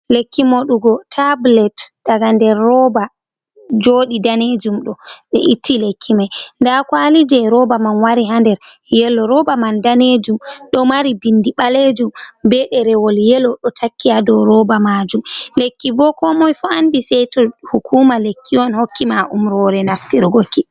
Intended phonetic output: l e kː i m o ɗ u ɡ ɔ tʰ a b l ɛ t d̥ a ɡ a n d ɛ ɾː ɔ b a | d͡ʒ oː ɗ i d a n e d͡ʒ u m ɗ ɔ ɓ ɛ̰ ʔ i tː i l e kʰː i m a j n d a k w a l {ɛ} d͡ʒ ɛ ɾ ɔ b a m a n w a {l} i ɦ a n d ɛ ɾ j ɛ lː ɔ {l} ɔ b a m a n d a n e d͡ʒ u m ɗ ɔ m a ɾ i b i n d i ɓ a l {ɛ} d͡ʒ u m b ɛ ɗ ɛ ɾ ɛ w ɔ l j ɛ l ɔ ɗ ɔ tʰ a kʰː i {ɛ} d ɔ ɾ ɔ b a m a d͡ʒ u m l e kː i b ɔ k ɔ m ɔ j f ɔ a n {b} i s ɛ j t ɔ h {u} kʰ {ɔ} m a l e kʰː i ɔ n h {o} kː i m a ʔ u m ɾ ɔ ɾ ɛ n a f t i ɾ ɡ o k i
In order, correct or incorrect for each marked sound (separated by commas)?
incorrect, incorrect, incorrect, incorrect, incorrect, incorrect, correct, incorrect, correct